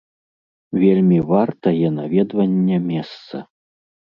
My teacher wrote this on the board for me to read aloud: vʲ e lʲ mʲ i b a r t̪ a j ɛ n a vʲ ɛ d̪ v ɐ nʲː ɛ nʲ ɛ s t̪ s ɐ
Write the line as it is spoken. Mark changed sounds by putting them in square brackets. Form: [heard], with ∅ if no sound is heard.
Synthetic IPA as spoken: vʲ e lʲ mʲ i [v] a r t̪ [ɐ] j ɛ n a vʲ ɛ d̪ v ɐ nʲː ɛ [mʲ] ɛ s t̪ s ɐ